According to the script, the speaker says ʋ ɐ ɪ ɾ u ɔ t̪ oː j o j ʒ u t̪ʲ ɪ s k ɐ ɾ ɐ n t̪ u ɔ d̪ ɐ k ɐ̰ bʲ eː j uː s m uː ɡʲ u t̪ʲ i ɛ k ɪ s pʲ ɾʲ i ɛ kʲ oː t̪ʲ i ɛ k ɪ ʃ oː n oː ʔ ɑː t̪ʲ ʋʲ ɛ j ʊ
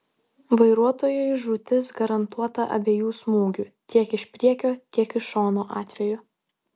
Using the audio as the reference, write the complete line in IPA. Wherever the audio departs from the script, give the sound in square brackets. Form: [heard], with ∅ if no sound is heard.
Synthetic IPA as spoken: ʋ ɐ ɪ ɾ u ɔ t̪ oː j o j ʒ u t̪ʲ ɪ s [ɡ] ɐ ɾ ɐ n t̪ u ɔ [t̪] ɐ [ʔ] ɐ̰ bʲ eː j uː s m uː ɡʲ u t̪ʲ i ɛ k ɪ [ʃ] pʲ ɾʲ i ɛ kʲ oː t̪ʲ i ɛ k ɪ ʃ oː n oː ʔ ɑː t̪ʲ ʋʲ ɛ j ʊ